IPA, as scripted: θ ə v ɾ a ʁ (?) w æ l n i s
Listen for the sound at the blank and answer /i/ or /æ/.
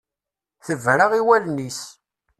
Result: i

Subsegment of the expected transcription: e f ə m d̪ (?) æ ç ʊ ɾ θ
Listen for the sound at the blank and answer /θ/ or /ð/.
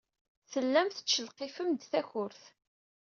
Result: θ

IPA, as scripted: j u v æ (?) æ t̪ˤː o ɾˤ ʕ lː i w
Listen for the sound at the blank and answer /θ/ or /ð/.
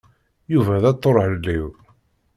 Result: ð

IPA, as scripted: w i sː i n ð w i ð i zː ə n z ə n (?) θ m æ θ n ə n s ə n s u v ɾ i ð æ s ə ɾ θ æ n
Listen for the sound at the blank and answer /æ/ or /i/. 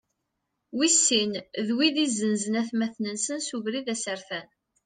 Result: æ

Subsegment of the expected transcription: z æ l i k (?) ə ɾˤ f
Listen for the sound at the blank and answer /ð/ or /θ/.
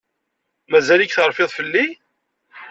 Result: θ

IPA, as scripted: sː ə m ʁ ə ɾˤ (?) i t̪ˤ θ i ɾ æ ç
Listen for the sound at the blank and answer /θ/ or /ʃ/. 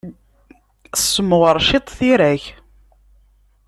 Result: ʃ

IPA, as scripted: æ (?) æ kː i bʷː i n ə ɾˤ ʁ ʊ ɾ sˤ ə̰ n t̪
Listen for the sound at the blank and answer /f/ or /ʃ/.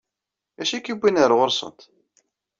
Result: ʃ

